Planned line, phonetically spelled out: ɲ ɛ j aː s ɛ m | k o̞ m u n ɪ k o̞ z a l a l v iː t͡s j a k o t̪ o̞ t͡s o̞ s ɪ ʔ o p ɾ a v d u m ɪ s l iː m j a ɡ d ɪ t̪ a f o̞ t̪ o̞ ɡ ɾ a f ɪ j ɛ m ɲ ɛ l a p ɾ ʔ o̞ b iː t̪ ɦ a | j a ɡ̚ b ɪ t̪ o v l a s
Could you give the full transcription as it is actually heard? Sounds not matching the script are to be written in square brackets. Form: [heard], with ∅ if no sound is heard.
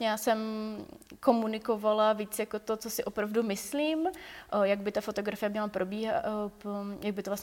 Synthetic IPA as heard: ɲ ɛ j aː s ɛ m | k o̞ m u n ɪ k o̞ [v] a l a [∅] v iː t͡s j a k o t̪ o̞ t͡s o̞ s ɪ ʔ o p ɾ a v d u m ɪ s l iː m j a ɡ [b] ɪ t̪ a f o̞ t̪ o̞ ɡ ɾ a f ɪ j ɛ m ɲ ɛ l a p ɾ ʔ o̞ b iː [∅] ɦ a | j a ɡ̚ b ɪ t̪ o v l a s